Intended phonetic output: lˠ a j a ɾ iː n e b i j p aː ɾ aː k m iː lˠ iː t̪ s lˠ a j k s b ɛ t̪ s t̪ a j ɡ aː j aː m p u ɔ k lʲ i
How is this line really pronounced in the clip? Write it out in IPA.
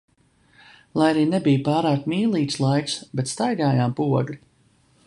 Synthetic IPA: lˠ a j a ɾ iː n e b i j p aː ɾ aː k m iː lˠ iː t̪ s lˠ a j k s b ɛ t̪ s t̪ a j ɡ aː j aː m p u ɔ ɡ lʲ i